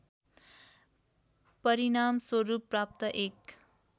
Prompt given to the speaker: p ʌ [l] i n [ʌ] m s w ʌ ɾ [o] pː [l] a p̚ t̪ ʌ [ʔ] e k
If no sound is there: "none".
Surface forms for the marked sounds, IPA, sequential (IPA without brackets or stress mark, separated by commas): ɾ, a, u, r, ʔ